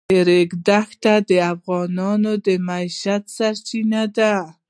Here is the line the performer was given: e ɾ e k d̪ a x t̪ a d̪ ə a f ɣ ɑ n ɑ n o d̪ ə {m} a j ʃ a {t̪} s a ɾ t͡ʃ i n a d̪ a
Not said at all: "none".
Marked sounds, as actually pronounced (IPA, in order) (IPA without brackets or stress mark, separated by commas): m, t̪